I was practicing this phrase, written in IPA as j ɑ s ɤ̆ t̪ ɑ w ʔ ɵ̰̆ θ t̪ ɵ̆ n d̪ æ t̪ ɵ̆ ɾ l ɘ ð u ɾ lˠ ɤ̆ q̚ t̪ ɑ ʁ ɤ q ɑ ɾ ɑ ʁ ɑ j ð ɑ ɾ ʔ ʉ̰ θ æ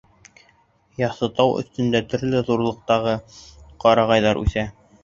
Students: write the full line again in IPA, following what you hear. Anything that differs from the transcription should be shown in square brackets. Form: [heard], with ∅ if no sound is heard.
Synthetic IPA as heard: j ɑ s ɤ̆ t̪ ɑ w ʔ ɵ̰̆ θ t̪ ɵ̆ n d̪ æ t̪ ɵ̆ ɾ l ɘ ð u ɾ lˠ ɤ̆ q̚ t̪ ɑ ʁ ɤ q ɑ ɾ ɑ ʁ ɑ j ð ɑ ɾ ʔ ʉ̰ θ æ